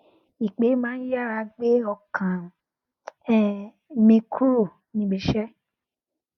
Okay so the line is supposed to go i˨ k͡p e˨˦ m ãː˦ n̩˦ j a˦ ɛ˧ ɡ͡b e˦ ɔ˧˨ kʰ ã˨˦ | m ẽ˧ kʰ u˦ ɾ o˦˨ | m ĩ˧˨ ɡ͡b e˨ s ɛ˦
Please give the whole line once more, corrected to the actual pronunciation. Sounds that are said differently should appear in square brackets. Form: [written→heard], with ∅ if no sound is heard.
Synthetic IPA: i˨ k͡p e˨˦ m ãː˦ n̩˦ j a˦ [ɛ˧→a˧] ɡ͡b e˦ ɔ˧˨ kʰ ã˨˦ | m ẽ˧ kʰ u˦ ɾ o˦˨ | [m→n] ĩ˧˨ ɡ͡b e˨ [s→ʃ] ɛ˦